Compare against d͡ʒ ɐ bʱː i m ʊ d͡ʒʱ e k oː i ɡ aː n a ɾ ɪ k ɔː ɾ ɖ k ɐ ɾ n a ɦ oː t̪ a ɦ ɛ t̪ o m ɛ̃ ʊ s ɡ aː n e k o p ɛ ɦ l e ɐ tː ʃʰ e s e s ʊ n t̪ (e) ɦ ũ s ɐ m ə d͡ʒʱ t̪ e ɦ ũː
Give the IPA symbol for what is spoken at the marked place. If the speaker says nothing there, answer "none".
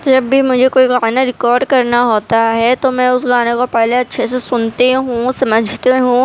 e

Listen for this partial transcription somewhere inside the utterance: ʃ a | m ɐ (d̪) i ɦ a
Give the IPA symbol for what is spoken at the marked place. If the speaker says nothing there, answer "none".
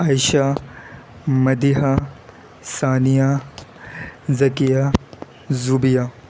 d̪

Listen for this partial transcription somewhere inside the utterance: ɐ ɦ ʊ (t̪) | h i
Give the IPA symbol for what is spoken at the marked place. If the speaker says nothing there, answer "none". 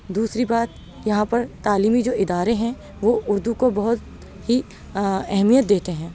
t̪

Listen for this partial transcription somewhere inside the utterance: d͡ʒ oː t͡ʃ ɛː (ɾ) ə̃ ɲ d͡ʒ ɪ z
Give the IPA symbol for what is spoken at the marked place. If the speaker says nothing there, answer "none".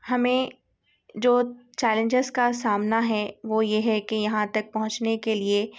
l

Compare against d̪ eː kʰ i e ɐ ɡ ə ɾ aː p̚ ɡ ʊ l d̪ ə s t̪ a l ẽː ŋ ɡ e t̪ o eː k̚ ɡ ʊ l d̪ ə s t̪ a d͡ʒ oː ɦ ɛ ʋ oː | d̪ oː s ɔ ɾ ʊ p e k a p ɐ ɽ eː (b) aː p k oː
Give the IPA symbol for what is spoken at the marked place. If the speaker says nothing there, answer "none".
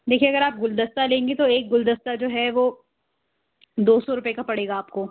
ɡ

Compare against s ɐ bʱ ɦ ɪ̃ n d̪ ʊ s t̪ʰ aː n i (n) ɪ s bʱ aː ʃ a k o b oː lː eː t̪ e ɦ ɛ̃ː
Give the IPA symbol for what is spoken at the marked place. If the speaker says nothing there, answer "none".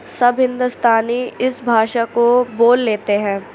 none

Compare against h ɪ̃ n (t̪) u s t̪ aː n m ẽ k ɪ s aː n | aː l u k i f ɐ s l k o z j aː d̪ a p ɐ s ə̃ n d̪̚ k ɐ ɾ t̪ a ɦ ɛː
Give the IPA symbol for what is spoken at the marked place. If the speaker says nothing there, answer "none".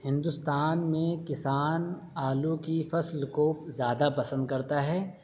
d̪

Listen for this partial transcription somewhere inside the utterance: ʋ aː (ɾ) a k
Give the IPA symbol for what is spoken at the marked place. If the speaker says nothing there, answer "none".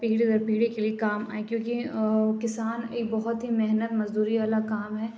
l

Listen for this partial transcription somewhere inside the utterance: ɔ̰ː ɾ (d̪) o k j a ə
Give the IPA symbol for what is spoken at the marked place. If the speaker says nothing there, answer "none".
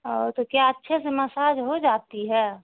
t̪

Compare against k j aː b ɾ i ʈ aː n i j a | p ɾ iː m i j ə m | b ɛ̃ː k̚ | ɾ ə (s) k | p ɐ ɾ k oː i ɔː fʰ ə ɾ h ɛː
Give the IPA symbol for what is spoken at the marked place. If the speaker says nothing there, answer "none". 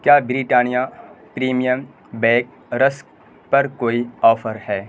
s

